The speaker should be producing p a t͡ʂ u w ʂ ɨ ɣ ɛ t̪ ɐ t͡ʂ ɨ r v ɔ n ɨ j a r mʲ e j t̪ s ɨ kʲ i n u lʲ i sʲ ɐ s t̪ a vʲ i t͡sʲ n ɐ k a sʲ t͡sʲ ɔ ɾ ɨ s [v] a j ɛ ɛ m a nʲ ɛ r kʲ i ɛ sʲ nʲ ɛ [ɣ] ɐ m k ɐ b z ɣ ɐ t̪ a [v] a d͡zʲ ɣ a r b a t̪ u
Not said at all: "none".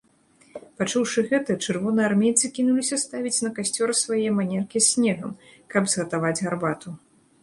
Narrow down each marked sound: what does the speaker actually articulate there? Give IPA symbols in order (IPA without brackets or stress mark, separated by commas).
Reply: v, ɣ, v